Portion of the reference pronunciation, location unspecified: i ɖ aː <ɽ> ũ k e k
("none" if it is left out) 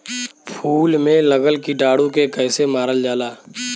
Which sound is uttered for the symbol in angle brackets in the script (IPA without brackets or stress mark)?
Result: ɽ